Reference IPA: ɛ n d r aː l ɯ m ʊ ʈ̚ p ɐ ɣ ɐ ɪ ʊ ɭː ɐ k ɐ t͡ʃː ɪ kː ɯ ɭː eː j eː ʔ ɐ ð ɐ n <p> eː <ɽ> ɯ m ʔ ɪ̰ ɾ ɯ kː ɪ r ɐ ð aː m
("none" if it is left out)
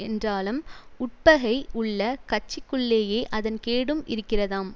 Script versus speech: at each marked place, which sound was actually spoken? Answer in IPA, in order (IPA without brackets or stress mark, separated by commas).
k, ɽ